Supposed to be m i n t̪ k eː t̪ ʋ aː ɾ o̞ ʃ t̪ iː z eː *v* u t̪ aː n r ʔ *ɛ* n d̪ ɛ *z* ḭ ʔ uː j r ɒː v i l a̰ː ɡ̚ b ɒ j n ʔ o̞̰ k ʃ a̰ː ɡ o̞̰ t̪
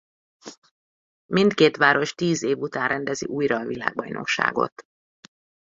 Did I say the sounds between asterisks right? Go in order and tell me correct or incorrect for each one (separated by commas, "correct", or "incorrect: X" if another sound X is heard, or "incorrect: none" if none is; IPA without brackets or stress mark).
correct, correct, correct